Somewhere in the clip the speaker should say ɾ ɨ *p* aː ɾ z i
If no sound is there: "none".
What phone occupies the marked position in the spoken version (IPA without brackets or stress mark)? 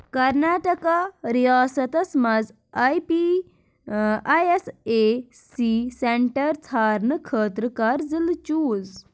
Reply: k